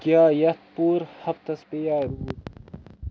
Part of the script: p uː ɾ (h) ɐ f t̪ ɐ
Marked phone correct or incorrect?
correct